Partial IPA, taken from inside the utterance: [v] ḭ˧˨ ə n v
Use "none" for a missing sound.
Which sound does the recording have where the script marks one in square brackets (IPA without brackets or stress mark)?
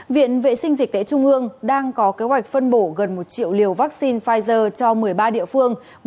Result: v